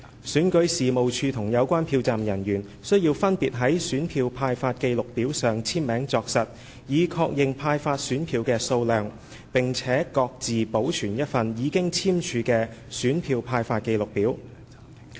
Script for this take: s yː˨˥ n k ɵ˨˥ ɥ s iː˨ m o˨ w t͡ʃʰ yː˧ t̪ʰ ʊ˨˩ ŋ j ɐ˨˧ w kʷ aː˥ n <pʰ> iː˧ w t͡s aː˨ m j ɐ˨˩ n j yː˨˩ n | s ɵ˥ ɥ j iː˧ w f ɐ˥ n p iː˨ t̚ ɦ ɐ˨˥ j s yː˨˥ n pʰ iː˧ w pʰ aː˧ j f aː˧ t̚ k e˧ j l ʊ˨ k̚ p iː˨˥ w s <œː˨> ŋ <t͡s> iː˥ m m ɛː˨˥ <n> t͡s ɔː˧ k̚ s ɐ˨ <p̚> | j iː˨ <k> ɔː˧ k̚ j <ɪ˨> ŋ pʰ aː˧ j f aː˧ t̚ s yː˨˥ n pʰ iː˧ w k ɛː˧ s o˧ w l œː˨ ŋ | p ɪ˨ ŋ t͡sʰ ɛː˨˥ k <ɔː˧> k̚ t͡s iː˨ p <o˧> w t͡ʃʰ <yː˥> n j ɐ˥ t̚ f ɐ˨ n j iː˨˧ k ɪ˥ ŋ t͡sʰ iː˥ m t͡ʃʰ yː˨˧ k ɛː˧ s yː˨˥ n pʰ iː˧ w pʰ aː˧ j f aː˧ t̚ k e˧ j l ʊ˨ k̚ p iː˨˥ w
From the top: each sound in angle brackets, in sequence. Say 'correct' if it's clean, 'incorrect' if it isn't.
correct, correct, incorrect: t͡sʰ, incorrect: ŋ, incorrect: t̚, incorrect: kʰ, correct, correct, incorrect: o˨˥, incorrect: yː˨˩

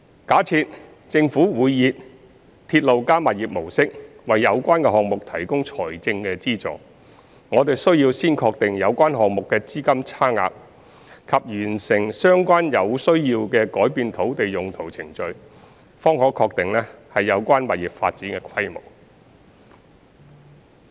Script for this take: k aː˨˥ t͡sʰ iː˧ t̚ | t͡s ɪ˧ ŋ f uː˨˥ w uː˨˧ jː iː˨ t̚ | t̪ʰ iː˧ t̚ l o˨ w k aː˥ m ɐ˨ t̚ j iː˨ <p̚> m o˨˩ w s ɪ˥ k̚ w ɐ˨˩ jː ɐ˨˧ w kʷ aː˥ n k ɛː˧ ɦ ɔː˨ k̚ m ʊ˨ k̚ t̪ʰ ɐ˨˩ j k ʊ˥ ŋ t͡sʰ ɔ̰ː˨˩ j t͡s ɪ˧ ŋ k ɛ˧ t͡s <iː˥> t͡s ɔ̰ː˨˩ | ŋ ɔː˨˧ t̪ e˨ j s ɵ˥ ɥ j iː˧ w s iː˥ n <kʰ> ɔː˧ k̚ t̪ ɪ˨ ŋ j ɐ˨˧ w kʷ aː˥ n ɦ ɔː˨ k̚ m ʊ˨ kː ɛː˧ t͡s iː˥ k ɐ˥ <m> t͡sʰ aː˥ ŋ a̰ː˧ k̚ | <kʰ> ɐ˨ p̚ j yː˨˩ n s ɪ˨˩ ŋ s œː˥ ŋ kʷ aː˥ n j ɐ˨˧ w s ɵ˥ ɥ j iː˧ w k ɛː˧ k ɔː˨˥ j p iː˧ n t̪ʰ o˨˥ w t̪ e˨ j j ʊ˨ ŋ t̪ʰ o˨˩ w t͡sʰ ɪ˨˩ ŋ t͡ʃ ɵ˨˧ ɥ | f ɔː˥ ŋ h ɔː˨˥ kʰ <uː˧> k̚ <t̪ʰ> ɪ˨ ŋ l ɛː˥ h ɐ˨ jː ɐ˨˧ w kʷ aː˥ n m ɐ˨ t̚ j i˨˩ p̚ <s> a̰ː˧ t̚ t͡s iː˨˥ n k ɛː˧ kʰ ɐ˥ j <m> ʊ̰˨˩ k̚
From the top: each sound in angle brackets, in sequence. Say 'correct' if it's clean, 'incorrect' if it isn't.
correct, correct, correct, correct, correct, incorrect: ɔː˧, incorrect: t̪, incorrect: f, correct

